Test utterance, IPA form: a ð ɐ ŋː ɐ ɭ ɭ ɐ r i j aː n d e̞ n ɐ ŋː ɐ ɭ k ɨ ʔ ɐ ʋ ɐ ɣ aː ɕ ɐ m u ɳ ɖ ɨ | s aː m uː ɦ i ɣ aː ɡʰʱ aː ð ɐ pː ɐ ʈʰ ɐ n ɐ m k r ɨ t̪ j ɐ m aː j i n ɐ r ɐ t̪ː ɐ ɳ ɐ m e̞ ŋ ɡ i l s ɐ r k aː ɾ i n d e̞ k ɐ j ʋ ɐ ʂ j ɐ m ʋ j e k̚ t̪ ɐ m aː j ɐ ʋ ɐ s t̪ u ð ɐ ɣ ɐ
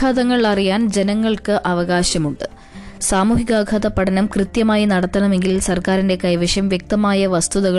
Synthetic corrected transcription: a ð ɐ ŋː ɐ ɭ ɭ ɐ r i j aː n d͡ʑ e̞ n ɐ ŋː ɐ ɭ k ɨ ʔ ɐ ʋ ɐ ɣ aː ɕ ɐ m u ɳ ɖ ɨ | s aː m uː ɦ i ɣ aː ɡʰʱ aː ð ɐ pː ɐ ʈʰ ɐ n ɐ m k r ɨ t̪ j ɐ m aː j i n ɐ ɽ ɐ t̪ː ɐ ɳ ɐ m e̞ ŋ ɡ i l s ɐ r k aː ɾ i n d e̞ k ɐ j ʋ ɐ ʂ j ɐ m ʋ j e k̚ t̪ ɐ m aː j ɐ ʋ ɐ s t̪ u ð ɐ ɣ ɐ